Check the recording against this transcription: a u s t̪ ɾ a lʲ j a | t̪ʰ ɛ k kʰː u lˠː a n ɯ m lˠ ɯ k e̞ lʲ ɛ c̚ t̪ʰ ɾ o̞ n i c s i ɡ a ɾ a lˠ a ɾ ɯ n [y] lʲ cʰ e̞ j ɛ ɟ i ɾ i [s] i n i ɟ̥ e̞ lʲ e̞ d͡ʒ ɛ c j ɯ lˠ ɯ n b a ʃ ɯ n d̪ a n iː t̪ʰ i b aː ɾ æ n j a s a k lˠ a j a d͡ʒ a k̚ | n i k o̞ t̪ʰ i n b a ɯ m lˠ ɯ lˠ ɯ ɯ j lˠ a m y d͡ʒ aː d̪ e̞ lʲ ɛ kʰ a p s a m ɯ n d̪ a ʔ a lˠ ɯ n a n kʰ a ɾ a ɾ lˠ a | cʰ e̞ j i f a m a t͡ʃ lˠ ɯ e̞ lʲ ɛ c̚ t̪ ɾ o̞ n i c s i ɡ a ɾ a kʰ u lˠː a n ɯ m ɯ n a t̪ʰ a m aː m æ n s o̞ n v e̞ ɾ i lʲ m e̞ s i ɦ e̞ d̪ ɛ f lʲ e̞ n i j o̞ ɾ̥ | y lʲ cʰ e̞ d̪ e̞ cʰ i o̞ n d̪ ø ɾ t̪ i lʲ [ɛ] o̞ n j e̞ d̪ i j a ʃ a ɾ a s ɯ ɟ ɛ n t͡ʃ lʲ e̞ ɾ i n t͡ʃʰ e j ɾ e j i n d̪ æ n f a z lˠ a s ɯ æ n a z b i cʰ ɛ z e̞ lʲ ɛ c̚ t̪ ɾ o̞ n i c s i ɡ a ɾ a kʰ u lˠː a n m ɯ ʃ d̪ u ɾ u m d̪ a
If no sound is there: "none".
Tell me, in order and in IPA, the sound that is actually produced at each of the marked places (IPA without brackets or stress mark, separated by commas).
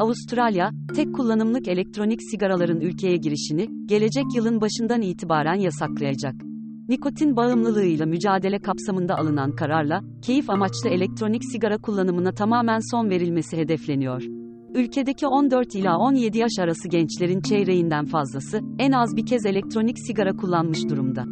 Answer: y, ʃ, a